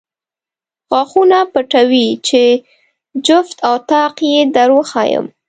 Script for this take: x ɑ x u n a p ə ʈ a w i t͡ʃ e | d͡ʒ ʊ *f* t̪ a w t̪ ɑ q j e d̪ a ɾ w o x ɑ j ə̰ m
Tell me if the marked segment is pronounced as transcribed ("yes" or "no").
yes